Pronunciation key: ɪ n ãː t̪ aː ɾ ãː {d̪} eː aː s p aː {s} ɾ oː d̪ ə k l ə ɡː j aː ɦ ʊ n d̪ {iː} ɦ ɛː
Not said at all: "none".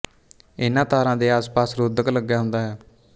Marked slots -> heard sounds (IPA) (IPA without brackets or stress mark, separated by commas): d̪, s, aː